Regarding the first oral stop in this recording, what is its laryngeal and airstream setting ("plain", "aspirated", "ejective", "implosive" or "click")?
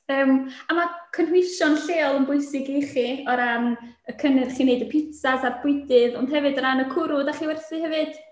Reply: aspirated